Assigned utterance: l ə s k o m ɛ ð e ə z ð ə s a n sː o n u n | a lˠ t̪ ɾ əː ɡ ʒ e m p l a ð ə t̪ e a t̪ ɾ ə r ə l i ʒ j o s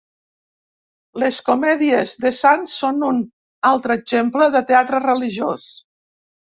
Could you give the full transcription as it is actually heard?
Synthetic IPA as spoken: l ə s k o m ɛ ð i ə z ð ə s a n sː o n u n | a lˠ t̪ ɾ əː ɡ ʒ e m p l ə ð ə t̪ e a t̪ ɾ ə r ə l i ʒ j o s